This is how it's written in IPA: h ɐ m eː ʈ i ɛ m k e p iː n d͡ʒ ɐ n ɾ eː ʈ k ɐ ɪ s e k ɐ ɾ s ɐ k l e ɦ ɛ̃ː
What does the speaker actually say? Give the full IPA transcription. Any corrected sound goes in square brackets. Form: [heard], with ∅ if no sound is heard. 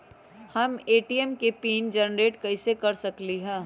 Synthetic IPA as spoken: h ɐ m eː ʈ i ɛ m k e p iː n d͡ʒ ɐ n ɾ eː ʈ k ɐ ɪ s e k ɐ ɾ s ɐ k l [i] ɦ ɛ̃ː